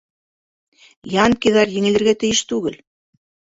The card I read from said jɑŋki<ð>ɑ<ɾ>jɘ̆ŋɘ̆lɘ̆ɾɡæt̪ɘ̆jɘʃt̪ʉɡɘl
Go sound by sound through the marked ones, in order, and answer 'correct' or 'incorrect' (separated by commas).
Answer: correct, correct